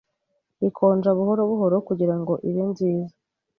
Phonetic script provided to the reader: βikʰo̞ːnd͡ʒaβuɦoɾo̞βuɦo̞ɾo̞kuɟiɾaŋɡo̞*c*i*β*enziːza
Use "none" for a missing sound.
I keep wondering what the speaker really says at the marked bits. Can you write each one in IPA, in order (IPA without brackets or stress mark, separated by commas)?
ʔ, β